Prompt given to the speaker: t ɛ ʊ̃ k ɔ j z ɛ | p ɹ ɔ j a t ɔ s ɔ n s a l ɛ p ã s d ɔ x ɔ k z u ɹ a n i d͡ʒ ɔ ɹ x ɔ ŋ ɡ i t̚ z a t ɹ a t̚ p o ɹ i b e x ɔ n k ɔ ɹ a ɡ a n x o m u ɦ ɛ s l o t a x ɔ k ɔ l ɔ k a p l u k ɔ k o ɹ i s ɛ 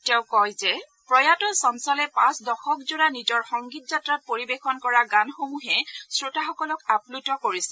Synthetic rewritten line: t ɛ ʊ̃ k ɔ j z ɛ | p ɹ ɔ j a t ɔ s ɔ n s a l ɛ p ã s d ɔ x ɔ k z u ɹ a n i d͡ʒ ɔ ɹ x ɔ ŋ ɡ i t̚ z a t ɹ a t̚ p o ɹ i b e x ɔ n k ɔ ɹ a ɡ a n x o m u ɦ ɛ s ɹ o t a x ɔ k ɔ l ɔ k a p l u t ɔ k o ɹ i s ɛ